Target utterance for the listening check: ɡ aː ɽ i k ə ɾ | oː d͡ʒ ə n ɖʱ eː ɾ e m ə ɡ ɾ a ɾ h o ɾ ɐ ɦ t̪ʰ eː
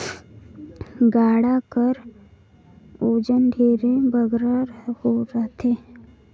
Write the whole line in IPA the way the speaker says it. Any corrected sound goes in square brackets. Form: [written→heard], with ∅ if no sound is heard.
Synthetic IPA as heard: ɡ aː ɽ [i→a] k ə ɾ | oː d͡ʒ ə n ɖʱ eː ɾ e [m→b] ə ɡ ɾ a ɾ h o ɾ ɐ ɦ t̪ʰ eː